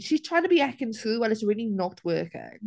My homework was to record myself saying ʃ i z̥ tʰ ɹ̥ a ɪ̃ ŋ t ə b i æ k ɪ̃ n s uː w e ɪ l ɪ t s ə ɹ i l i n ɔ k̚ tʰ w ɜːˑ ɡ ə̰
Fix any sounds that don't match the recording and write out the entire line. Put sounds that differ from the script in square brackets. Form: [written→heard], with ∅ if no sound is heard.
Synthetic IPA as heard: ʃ i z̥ tʰ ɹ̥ a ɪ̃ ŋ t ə b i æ k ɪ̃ n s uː w [e→a] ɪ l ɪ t s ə ɹ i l i n ɔ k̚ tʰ w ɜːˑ [ɡ→k] ə̰